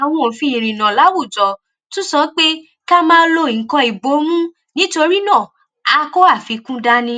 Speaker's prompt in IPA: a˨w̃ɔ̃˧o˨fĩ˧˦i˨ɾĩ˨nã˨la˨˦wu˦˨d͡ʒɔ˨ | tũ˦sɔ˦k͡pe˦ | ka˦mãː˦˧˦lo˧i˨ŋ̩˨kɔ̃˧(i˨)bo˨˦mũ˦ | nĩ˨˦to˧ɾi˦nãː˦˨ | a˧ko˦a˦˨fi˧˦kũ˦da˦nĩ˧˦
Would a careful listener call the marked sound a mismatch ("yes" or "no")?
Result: no